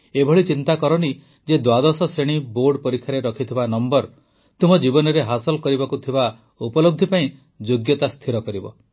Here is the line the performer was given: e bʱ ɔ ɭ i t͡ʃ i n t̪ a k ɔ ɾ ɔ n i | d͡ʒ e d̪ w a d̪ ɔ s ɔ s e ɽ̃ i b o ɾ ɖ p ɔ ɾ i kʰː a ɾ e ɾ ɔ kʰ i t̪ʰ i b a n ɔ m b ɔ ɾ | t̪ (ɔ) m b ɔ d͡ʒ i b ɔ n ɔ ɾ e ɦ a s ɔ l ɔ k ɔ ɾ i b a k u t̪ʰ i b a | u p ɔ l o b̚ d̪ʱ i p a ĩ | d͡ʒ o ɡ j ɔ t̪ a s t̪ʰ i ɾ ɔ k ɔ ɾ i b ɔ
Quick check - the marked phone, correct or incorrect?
incorrect